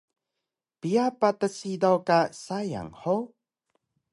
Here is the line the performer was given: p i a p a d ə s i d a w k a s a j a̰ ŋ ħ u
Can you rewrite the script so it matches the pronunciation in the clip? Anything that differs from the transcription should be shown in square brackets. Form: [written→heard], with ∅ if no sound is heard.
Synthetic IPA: p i a p a [d→t] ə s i d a w k a s a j a̰ ŋ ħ [u→o]